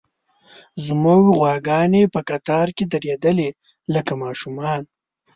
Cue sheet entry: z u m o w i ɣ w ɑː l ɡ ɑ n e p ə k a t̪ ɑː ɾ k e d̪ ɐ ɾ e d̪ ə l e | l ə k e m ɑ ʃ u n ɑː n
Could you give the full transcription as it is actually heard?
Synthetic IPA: z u m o w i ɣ w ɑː ɡ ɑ n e p ə k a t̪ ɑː ɾ k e d̪ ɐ ɾ e d̪ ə l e | l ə k a m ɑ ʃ u m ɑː n